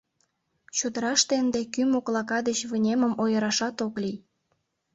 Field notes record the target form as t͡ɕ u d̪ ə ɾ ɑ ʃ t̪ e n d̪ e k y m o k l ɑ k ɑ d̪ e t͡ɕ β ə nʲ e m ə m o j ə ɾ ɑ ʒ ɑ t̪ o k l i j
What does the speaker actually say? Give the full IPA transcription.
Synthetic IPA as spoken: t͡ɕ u d̪ ə ɾ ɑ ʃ t̪ e n d̪ e k y m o k l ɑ k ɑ d̪ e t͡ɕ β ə nʲ e m ə m o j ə ɾ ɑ ʃ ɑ t̪ o k l i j